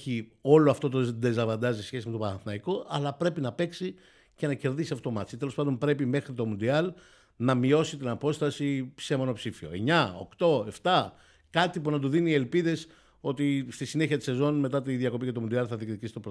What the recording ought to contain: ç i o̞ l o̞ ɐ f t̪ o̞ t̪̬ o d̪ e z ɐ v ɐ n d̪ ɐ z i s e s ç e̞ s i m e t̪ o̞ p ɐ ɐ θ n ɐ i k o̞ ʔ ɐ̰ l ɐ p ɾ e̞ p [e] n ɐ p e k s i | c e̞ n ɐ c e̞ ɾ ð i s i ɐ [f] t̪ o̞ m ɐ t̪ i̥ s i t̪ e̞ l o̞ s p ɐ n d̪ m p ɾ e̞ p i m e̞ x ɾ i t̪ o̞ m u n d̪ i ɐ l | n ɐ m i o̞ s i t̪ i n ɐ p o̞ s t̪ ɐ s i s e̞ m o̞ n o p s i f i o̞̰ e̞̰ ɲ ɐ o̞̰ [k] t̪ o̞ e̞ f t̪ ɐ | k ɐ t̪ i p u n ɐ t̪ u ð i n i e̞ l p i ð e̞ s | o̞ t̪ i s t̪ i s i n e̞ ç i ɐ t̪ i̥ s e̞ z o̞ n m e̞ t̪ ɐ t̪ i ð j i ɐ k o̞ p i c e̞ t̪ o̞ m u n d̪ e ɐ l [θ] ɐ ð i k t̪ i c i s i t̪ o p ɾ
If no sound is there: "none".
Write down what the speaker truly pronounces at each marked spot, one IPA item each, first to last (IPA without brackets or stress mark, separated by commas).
i, f, k, θ